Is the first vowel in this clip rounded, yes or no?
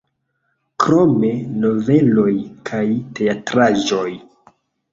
yes